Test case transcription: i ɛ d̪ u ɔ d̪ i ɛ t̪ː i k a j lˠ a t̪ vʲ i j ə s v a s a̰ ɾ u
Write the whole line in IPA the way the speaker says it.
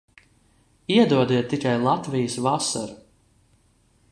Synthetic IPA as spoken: i ɛ d̪ u ɔ d̪ i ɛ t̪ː i k a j lˠ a t̪ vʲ i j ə s v a s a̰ ɾ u